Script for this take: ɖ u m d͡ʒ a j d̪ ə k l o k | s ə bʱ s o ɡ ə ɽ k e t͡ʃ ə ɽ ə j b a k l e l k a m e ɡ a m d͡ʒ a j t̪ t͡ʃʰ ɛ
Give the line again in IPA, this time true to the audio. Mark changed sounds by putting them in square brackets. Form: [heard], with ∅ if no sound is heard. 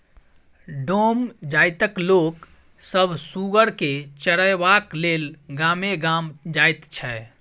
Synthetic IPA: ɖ [o] m d͡ʒ a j [t̪] ə k l o k | s ə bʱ s [u] ɡ ə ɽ k e t͡ʃ ə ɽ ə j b a k l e l [ɡ] a m e ɡ a m d͡ʒ a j t̪ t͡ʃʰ ɛ